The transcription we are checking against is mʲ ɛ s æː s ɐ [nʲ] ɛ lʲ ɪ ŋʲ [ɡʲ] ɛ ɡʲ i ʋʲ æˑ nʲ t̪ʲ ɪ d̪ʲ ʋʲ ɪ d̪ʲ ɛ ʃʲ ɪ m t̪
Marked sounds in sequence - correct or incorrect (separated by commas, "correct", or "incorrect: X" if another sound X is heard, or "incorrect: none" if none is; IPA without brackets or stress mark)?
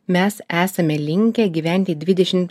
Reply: incorrect: mʲ, incorrect: kʲ